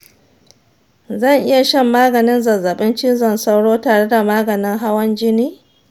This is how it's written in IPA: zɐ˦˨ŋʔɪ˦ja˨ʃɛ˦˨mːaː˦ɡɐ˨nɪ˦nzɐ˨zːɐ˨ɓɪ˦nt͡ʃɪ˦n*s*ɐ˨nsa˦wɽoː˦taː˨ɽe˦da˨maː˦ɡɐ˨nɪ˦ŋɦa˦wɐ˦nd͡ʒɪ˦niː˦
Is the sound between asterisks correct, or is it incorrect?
incorrect